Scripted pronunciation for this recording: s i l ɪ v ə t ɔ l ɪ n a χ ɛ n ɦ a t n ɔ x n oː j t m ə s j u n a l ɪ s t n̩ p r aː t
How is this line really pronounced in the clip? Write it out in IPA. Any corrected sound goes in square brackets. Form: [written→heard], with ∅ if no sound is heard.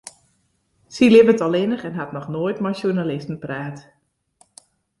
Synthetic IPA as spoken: s i l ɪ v ə t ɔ l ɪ n [a→ə] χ ɛ n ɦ a t n ɔ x n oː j t m [ə→a] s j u n a l ɪ s t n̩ p r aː t